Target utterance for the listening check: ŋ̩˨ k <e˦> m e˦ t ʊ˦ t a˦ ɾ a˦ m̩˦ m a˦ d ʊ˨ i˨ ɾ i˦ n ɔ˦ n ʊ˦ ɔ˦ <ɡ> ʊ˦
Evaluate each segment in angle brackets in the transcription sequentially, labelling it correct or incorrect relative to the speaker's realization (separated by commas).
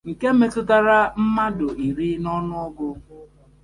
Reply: correct, correct